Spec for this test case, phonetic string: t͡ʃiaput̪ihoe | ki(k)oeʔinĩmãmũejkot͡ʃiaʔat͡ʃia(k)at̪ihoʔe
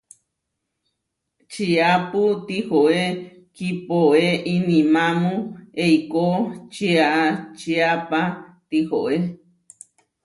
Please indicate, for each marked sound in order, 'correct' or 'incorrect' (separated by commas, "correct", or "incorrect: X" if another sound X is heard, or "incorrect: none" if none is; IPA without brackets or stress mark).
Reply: incorrect: p, incorrect: p